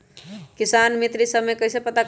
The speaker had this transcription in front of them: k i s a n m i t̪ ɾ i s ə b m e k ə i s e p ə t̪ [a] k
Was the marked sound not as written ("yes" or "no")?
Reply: no